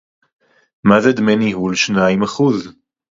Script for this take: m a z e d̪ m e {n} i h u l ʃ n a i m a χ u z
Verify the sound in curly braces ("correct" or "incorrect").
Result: correct